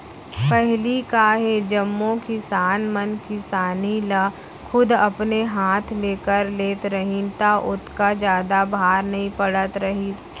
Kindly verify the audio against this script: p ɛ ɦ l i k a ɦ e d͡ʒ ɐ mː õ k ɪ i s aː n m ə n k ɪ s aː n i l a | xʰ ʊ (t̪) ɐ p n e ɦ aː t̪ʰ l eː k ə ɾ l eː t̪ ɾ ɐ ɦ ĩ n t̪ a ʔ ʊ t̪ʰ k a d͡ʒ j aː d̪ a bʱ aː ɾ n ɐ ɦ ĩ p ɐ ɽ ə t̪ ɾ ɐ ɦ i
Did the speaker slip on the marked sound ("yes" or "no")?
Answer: yes